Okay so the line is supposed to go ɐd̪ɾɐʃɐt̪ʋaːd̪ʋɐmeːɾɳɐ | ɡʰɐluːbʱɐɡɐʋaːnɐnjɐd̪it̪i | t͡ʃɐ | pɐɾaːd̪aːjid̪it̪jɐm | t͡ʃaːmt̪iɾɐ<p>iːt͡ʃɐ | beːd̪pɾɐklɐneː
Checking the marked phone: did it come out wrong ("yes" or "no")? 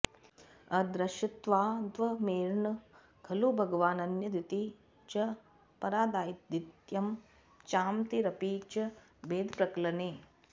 no